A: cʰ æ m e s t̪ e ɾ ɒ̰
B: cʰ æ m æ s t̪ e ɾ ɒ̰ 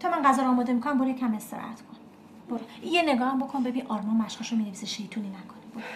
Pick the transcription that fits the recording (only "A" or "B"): A